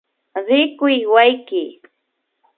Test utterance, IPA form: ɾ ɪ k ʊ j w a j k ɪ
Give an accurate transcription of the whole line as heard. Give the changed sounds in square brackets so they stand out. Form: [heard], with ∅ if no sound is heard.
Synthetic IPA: ɾ ɪ k ʊ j w a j k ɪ